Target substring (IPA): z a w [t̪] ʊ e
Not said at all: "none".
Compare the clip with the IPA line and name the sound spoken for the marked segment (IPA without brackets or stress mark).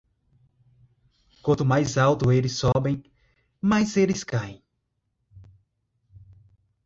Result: t̪